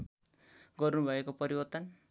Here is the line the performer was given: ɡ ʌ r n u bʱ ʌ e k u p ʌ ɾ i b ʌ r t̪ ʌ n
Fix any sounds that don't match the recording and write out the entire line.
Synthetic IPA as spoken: ɡ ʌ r n u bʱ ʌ e k o p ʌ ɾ i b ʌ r t̪ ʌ n

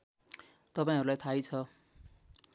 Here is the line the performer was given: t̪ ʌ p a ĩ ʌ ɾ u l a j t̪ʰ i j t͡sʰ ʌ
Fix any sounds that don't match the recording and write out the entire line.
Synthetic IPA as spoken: t̪ ʌ p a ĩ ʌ ɾ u l a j t̪ʰ a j t͡sʰ ʌ

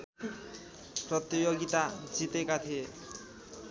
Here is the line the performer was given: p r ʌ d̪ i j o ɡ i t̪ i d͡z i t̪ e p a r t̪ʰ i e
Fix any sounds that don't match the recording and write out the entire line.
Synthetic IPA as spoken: p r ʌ t̪ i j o ɡ i t̪ a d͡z i t̪ e k a t̪ʰ i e

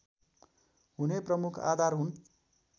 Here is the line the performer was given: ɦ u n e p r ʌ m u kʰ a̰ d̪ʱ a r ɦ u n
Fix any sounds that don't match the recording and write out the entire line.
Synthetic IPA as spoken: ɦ u n e p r ʌ m u kʰ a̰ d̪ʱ a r ɦ u n

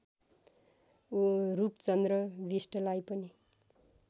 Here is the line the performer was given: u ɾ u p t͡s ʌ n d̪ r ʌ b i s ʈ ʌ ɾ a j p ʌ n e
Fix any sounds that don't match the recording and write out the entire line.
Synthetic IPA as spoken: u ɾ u p t͡s ʌ n d̪ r ʌ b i s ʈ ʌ l a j p ʌ n i

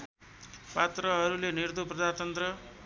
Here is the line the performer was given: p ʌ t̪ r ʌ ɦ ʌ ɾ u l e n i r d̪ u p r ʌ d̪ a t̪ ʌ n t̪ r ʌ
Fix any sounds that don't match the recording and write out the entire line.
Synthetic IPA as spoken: p a t̪ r ʌ ɦ ʌ ɾ u l e n i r d̪ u p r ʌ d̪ a t̪ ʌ n t̪ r ʌ

